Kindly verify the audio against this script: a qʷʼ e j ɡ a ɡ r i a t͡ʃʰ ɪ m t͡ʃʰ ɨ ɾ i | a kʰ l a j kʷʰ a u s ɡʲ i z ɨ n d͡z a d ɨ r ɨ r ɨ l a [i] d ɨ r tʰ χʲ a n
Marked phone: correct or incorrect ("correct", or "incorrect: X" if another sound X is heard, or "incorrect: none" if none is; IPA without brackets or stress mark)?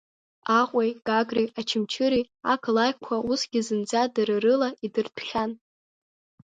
correct